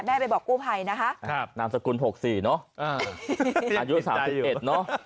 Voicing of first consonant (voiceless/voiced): voiced